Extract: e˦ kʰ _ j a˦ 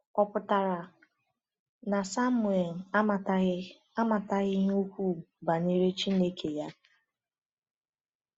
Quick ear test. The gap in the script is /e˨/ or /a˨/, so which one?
e˨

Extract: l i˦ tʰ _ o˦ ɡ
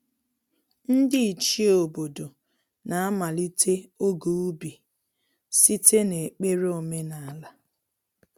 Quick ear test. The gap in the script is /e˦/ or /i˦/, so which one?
e˦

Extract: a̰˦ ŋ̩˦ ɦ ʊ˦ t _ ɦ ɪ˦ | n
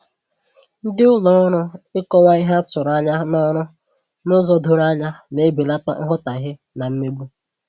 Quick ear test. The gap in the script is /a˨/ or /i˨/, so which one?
a˨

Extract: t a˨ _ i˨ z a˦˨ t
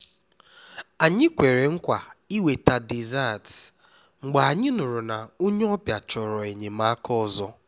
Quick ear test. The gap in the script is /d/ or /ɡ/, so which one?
d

